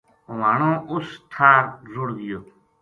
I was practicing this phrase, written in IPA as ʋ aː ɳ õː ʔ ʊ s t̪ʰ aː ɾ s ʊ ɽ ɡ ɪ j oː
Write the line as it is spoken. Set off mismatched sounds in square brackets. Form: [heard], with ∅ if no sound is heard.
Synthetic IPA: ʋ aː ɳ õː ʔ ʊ s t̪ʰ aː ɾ [z] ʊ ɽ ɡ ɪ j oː

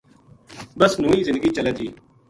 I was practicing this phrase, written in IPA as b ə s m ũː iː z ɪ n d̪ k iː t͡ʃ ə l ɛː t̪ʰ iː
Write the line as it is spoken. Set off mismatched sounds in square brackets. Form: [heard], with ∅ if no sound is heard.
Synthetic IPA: b ə s [n] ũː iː z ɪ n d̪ [ɡ] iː t͡ʃ ə l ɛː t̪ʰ iː

